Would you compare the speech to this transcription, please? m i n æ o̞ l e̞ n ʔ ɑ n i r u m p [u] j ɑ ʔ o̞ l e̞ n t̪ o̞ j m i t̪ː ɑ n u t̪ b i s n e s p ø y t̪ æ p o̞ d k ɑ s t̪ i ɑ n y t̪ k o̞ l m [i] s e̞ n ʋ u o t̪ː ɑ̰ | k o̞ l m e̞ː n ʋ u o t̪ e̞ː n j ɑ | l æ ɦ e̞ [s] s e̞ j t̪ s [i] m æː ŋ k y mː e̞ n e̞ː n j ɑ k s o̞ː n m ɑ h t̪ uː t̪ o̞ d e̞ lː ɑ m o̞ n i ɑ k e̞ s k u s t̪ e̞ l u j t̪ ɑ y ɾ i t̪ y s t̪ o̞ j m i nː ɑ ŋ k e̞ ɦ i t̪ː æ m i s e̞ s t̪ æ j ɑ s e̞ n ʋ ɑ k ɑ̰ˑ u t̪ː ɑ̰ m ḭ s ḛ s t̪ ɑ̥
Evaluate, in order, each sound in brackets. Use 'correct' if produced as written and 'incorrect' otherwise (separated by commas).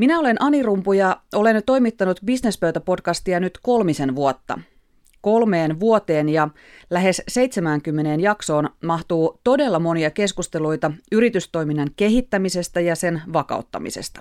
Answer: correct, correct, correct, incorrect